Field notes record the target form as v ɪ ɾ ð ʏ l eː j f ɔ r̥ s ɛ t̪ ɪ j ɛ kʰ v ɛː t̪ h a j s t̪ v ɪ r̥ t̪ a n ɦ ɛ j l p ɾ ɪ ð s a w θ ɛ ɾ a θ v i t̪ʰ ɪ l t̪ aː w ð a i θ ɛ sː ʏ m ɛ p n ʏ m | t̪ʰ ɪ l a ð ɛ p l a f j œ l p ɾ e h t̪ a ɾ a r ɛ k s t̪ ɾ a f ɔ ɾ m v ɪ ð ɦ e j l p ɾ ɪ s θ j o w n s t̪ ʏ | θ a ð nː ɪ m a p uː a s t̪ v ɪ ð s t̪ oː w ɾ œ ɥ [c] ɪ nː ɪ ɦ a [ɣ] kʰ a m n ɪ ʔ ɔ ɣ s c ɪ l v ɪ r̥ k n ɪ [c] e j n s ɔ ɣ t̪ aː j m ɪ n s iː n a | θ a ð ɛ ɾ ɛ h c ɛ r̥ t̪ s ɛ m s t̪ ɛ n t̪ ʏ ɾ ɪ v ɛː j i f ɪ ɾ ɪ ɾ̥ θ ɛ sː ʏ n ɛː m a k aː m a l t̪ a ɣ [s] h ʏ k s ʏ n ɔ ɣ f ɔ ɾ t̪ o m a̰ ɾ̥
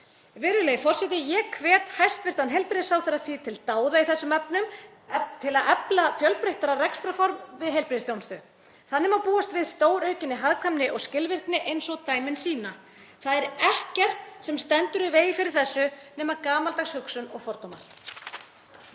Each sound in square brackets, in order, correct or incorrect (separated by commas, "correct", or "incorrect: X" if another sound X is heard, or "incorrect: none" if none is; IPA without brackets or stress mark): correct, incorrect: ð, incorrect: ʔ, correct